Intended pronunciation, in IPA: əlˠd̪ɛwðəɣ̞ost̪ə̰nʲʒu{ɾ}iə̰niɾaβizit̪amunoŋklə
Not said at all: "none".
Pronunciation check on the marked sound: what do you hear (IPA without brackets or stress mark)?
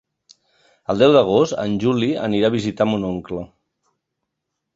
l